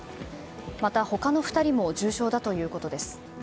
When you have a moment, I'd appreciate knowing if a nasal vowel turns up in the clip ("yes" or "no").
no